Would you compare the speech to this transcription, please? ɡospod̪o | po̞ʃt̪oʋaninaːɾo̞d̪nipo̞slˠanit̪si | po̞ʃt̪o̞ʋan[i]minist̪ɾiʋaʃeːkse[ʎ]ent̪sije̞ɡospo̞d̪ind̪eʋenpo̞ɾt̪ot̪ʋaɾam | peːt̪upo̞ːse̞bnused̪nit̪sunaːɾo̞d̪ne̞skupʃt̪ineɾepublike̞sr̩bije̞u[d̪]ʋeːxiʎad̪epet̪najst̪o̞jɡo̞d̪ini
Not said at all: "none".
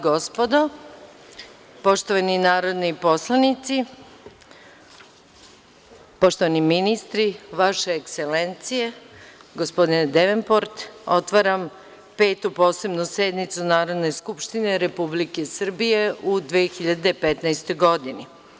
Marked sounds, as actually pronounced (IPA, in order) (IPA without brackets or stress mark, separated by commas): i, l, d̪